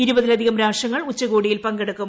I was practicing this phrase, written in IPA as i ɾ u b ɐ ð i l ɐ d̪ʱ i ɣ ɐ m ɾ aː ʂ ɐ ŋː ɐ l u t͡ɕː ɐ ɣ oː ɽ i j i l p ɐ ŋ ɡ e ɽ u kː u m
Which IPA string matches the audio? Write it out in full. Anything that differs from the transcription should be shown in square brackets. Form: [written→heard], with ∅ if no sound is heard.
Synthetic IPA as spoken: i ɾ u b ɐ ð i l ɐ d̪ʱ i ɣ ɐ m ɾ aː ʂ ɐ ŋː ɐ [l→ɭ] u t͡ɕː ɐ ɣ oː ɽ i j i l p ɐ ŋ ɡ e ɽ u kː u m

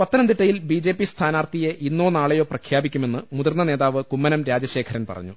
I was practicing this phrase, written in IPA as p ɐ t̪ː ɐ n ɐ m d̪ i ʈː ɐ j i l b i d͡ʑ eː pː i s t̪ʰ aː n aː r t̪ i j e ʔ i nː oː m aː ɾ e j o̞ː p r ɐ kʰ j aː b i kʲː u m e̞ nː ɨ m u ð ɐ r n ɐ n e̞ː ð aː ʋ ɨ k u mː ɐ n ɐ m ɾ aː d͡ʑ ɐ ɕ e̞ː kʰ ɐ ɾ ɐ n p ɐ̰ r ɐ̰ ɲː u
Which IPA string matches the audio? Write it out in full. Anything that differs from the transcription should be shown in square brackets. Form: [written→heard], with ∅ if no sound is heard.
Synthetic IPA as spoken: p ɐ t̪ː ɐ n ɐ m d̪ i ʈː ɐ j i l b i d͡ʑ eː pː i s t̪ʰ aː n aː r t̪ i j e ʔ i nː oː [m→n] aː [ɾ→ɭ] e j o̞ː p r ɐ kʰ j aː b i kʲː u m e̞ nː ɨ m u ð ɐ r n ɐ n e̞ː ð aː ʋ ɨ k u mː ɐ n ɐ m ɾ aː d͡ʑ ɐ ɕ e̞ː kʰ ɐ ɾ ɐ n p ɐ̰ r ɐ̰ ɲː u

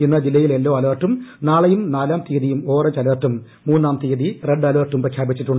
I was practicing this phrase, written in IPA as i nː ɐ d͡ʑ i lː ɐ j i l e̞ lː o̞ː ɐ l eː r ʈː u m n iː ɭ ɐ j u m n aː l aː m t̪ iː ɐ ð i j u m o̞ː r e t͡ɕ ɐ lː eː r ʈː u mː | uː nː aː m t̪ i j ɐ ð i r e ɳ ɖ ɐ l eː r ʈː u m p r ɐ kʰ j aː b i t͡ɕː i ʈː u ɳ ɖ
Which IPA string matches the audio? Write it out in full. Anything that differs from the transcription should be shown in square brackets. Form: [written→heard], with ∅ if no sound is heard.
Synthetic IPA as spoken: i nː ɐ d͡ʑ i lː ɐ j i l e̞ lː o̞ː ɐ l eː r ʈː u m n [iː→aː] ɭ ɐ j u m n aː l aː m t̪ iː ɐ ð i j u m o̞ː r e t͡ɕ ɐ [lː→l] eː r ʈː u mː | uː nː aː m t̪ i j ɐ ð i r e ɳ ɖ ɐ l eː r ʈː u m p r ɐ kʰ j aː b i t͡ɕː i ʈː u ɳ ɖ

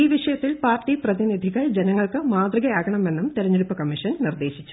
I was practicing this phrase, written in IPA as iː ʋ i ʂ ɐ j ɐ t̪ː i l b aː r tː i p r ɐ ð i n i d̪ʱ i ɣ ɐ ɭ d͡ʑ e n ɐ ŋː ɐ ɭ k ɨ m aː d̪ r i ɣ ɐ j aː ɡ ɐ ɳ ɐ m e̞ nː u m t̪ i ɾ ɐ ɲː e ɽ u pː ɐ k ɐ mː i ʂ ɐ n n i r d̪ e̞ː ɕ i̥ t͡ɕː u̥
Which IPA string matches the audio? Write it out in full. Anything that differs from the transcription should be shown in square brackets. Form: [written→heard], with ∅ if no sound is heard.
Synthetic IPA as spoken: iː ʋ i ʂ ɐ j ɐ t̪ː i l [b→p] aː r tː i p r ɐ ð i n i d̪ʱ i ɣ ɐ ɭ d͡ʑ e n ɐ ŋː ɐ ɭ k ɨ m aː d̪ r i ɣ ɐ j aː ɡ ɐ ɳ ɐ m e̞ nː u m t̪ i ɾ ɐ ɲː e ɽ u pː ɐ k ɐ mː i ʂ ɐ n n i r d̪ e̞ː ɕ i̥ t͡ɕː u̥

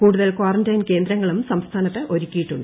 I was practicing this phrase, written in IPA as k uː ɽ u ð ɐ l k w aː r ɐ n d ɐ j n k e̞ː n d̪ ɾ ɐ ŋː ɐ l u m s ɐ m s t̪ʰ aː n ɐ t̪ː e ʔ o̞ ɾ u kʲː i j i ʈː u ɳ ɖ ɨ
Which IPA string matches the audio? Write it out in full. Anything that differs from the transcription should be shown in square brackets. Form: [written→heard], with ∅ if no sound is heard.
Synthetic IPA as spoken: k uː ɽ u ð ɐ l k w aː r ɐ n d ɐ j n k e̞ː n d̪ ɾ ɐ ŋː ɐ [l→ɭ] u m s ɐ m s t̪ʰ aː n ɐ t̪ː e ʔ o̞ ɾ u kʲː i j i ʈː u ɳ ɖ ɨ

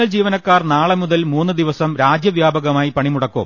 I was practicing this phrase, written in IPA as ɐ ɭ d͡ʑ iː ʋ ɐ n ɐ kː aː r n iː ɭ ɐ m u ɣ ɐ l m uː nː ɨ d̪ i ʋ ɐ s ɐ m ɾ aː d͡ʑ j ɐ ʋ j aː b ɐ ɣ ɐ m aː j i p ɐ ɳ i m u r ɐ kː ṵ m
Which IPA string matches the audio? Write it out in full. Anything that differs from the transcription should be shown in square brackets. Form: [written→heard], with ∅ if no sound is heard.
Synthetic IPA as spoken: ɐ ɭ d͡ʑ iː ʋ ɐ n ɐ kː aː r n [iː→aː] ɭ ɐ m u [ɣ→ð] ɐ l m uː nː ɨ d̪ i ʋ ɐ s ɐ m ɾ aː d͡ʑ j ɐ ʋ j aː b ɐ ɣ ɐ m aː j i p ɐ ɳ i m u [r→ɽ] ɐ kː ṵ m

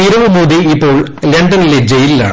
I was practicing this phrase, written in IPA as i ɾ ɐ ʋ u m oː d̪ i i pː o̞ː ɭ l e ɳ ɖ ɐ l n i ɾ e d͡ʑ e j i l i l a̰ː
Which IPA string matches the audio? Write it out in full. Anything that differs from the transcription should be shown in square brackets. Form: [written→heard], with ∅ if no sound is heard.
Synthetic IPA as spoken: i ɾ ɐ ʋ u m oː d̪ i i pː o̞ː ɭ l e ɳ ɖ ɐ [l→∅] n i [ɾ→l] e d͡ʑ e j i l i l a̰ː

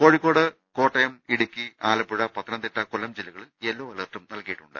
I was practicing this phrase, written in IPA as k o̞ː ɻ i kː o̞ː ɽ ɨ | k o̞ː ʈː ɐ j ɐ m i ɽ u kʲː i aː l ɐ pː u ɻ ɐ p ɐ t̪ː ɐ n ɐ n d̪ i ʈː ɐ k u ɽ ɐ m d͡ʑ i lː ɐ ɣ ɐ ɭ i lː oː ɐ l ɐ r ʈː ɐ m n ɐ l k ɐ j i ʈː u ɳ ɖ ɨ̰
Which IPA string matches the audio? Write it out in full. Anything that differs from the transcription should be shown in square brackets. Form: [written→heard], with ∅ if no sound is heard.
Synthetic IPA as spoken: k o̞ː ɻ i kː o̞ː ɽ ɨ | k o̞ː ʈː ɐ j ɐ m i ɽ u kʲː i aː l ɐ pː u ɻ ɐ p ɐ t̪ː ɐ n ɐ n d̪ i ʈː ɐ k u [ɽ→l] ɐ m d͡ʑ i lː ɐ ɣ ɐ ɭ [i→e] lː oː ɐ l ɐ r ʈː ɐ m n ɐ l k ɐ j i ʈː u ɳ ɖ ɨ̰

